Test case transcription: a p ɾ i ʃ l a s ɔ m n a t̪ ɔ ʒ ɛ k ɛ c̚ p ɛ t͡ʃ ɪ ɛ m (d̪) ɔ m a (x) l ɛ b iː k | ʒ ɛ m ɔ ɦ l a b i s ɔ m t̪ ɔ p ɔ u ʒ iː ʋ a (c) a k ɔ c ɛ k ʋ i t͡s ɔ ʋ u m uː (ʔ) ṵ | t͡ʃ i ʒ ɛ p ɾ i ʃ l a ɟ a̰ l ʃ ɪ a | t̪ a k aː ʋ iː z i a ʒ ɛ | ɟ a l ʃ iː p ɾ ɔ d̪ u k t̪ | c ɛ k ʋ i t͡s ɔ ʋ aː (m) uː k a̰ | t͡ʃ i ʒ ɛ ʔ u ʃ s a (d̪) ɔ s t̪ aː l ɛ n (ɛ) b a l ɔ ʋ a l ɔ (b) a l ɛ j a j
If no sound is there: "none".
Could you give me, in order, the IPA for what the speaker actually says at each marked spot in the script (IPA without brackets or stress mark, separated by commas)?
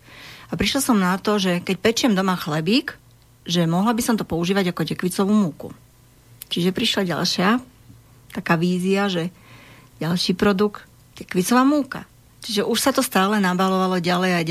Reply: d̪, x, ɟ, k, m, t̪, a, ɟ